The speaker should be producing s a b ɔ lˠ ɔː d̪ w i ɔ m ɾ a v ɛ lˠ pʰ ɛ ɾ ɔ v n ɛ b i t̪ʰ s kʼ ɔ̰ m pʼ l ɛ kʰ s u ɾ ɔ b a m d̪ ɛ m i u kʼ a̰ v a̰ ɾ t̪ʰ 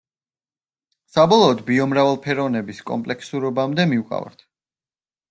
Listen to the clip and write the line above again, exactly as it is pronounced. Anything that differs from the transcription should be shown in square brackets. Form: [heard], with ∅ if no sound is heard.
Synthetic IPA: s a b ɔ lˠ ɔː d̪ [b] i ɔ m ɾ a v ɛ lˠ pʰ ɛ ɾ ɔ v n ɛ b i [∅] s kʼ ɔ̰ m pʼ l ɛ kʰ s u ɾ ɔ b a m d̪ ɛ m i u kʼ a̰ v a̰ ɾ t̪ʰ